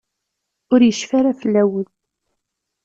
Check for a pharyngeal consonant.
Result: absent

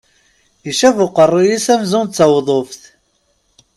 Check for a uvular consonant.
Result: present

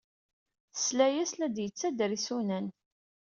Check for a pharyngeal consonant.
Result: absent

